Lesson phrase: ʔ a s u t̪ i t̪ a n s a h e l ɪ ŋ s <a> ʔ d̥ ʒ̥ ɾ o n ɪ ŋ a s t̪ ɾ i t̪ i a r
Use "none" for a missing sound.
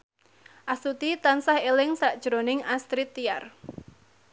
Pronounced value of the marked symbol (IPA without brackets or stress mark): a